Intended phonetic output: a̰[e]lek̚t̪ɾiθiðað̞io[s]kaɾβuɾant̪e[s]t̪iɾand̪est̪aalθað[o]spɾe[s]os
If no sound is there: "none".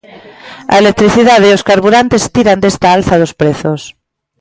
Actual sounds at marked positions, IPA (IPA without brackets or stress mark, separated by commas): e, s, s, o, θ